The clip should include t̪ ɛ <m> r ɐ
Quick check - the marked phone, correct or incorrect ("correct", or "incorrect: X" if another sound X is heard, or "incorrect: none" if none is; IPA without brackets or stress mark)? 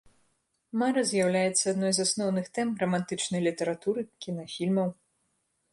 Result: correct